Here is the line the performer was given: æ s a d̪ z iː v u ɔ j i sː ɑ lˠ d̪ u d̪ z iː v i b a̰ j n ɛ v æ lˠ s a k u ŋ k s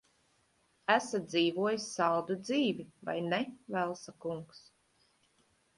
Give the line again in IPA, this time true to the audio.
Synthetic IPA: æ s a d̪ z iː v u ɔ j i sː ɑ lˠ d̪ u d̪ z iː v i v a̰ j n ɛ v æ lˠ s a k u ŋ k s